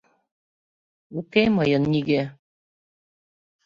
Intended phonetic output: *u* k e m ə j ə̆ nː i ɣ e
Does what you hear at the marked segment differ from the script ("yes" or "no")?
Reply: no